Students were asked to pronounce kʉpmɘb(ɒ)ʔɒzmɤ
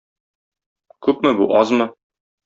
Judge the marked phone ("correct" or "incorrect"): incorrect